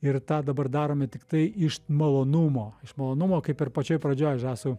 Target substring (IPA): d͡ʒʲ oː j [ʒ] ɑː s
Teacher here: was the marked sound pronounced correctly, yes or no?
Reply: yes